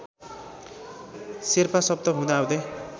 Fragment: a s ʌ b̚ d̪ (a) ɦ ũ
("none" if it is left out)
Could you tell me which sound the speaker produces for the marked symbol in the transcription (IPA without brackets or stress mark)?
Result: ʌ